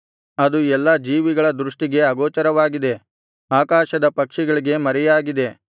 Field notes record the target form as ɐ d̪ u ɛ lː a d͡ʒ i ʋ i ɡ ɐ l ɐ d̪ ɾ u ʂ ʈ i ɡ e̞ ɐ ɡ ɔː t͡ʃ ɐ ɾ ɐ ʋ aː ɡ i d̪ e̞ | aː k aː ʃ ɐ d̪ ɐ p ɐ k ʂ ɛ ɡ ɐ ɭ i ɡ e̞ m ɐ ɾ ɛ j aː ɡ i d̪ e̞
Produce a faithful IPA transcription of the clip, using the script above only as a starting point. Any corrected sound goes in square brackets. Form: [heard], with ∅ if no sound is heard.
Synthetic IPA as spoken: ɐ d̪ u ɛ lː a d͡ʒ [iː] ʋ i ɡ ɐ [ɭ] ɐ d̪ ɾ u ʂ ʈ i ɡ e̞ ɐ ɡ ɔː t͡ʃ ɐ ɾ ɐ ʋ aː ɡ i d̪ e̞ | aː k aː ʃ ɐ d̪ ɐ p ɐ k ʂ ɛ ɡ ɐ ɭ i ɡ e̞ m ɐ ɾ ɛ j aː ɡ i d̪ e̞

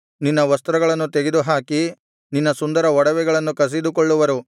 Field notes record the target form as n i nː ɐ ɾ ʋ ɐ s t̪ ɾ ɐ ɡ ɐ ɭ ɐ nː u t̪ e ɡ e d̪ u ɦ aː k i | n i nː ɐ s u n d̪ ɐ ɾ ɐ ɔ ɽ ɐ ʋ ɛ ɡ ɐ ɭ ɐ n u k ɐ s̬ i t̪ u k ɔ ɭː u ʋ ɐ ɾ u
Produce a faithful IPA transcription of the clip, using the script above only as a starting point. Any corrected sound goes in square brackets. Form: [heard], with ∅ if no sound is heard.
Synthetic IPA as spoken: n i nː ɐ [∅] ʋ ɐ s t̪ ɾ ɐ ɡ ɐ ɭ ɐ nː u t̪ e ɡ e d̪ u ɦ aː k i | n i nː ɐ s u n d̪ ɐ ɾ ɐ ɔ ɽ ɐ ʋ ɛ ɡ ɐ ɭ ɐ [nː] u k ɐ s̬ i [d̪] u k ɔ ɭː u ʋ ɐ ɾ u

